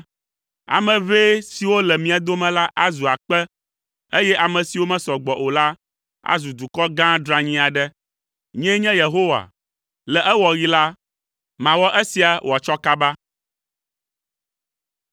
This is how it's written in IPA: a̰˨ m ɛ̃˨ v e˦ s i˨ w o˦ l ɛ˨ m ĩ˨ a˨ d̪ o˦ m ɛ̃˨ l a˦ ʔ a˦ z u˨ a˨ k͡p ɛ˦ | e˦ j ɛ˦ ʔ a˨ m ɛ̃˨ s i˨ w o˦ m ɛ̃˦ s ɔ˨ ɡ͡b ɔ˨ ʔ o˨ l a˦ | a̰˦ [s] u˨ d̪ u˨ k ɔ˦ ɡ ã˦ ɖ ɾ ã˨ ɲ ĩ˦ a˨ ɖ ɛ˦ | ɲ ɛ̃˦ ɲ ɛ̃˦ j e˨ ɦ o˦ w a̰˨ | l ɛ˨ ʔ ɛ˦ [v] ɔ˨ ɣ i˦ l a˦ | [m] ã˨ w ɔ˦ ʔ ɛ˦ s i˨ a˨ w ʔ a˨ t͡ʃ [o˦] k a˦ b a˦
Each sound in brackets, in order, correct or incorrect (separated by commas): incorrect, incorrect, correct, incorrect